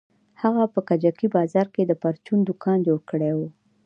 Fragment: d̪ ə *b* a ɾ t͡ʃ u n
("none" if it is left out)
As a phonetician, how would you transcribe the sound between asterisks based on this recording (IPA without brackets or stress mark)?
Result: p